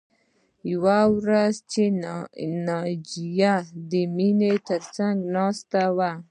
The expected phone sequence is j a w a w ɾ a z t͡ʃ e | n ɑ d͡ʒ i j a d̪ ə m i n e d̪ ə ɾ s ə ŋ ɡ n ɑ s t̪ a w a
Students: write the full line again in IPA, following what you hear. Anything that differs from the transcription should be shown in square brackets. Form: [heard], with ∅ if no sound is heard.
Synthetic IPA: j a w a w ɾ a z t͡ʃ e | n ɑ d͡ʒ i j a d̪ ə m i n e [t̪] ə ɾ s [a] ŋ ɡ n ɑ s t̪ a w a